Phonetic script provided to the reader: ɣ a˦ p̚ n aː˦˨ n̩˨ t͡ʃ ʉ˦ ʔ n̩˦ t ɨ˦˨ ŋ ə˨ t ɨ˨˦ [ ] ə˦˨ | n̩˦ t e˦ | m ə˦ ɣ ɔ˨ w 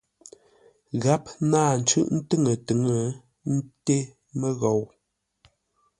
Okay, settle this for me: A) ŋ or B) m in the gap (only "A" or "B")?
A